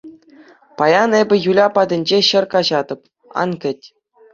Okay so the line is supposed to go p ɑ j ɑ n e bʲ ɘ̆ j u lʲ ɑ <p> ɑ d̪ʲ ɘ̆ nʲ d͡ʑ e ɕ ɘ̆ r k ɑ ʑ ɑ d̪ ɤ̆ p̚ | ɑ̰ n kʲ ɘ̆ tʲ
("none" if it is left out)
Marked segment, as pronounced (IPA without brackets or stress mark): p